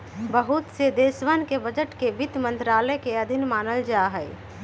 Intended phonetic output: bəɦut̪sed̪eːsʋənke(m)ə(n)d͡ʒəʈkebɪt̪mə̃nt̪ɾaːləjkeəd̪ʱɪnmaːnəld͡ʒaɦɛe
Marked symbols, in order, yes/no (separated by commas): no, no